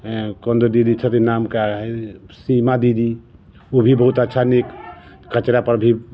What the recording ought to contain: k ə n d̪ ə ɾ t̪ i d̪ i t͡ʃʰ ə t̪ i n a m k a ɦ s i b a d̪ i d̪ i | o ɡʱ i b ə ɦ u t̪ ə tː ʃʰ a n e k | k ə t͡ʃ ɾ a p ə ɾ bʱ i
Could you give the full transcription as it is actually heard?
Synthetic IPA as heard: k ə n d̪ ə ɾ d̪ i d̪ i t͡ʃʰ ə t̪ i n a m k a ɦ s i m a d̪ i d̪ i | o bʱ i b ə ɦ u t̪ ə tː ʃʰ a n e k | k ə t͡ʃ ɾ a p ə ɾ bʱ i